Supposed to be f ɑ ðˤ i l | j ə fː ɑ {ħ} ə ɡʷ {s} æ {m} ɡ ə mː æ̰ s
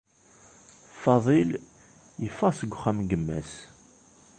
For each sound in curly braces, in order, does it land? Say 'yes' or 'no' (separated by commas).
no, no, yes